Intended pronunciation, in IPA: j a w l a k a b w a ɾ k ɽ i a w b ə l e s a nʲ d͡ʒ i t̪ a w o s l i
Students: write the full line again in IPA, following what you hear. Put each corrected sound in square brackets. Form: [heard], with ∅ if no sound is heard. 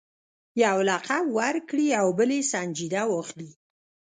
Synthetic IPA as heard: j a w l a [q] a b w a ɾ k ɽ i a w b ə l e s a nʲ d͡ʒ i [d̪] a w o [x] l i